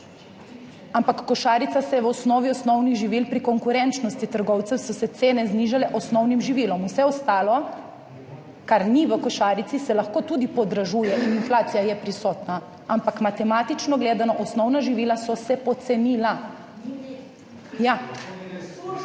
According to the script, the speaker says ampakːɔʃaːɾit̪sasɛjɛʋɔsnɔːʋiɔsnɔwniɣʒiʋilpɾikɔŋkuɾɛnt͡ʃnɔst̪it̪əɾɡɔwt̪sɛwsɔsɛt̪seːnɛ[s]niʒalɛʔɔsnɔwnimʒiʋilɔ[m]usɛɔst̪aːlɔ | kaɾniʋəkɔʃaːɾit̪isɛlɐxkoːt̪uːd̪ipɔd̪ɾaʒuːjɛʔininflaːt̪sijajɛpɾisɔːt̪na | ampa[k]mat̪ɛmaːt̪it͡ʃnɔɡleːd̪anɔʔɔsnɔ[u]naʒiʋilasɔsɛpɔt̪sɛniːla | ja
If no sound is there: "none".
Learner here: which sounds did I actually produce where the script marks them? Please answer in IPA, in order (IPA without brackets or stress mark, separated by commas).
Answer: z, m, k, w